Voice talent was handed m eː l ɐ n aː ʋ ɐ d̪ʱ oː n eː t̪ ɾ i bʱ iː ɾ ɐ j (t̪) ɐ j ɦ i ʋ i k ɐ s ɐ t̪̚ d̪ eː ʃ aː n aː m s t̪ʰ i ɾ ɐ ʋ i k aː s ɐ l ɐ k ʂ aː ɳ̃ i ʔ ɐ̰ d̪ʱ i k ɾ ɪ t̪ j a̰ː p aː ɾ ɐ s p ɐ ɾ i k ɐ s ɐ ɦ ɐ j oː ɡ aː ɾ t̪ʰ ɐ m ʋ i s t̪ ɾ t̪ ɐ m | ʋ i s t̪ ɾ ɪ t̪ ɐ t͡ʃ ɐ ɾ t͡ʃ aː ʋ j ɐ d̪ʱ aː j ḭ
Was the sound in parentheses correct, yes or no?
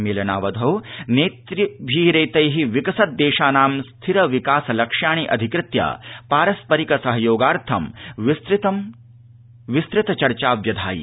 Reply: yes